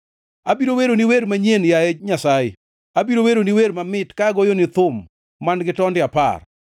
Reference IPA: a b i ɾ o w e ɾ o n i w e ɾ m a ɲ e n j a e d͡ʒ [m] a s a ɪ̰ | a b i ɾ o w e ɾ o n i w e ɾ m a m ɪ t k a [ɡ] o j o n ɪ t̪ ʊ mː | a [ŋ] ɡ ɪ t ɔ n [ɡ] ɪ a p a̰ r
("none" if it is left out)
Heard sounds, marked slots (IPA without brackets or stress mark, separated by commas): ɲ, ɡ, n, d